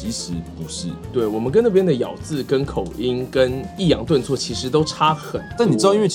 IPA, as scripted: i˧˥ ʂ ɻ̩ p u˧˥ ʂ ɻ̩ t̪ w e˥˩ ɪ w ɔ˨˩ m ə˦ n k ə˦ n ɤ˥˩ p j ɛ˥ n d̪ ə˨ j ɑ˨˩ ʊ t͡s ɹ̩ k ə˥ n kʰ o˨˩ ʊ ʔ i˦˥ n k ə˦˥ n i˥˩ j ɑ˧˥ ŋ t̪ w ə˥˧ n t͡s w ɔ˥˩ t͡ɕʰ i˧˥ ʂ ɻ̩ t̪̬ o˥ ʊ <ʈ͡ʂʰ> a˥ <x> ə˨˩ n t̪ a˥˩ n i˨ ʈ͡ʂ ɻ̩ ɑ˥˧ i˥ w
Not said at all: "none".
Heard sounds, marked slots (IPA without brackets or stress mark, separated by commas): ʈ͡ʂʰ, x